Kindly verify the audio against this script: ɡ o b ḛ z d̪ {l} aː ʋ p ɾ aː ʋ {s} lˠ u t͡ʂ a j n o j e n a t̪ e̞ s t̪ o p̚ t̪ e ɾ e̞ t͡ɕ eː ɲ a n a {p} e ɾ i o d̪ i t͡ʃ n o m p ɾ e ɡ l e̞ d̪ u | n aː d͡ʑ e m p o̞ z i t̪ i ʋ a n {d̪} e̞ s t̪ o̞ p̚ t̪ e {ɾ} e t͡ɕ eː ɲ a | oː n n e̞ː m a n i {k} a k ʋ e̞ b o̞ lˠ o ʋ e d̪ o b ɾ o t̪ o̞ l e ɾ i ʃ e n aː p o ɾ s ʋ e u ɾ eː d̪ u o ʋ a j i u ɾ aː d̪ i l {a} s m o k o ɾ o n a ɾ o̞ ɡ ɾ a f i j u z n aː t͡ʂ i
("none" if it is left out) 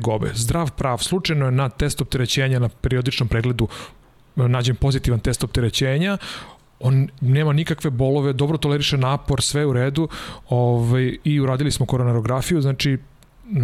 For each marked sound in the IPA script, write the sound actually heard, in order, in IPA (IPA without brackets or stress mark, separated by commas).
ɾ, s, p, t̪, ɾ, k, i